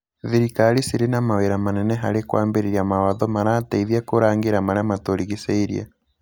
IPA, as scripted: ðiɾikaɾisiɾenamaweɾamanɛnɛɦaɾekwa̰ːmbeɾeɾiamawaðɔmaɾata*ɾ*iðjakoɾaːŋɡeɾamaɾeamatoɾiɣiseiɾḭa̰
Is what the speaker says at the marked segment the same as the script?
no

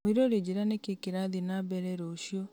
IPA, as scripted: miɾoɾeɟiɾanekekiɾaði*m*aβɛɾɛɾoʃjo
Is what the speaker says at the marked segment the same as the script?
no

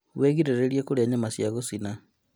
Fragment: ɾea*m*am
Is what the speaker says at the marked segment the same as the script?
no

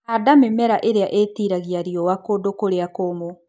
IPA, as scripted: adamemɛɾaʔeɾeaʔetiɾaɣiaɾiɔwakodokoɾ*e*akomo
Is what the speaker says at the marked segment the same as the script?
yes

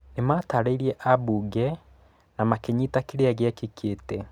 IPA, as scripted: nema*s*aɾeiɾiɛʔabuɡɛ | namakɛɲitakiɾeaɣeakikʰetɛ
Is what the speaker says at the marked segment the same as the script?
no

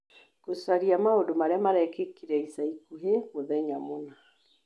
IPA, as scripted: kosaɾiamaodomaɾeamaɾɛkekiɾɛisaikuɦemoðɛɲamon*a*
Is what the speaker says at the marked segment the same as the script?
yes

